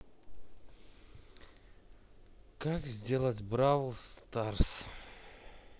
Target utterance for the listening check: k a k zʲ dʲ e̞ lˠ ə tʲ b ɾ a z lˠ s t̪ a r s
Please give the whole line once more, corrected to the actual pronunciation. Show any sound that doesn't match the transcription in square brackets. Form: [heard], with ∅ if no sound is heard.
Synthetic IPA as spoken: k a k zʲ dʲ e̞ lˠ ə tʲ b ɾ a [v] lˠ s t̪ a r s